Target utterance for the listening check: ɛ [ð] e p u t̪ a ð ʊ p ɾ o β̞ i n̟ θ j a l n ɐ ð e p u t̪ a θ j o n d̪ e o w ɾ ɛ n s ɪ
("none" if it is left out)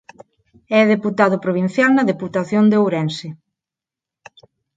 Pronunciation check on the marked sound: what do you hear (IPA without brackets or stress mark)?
ð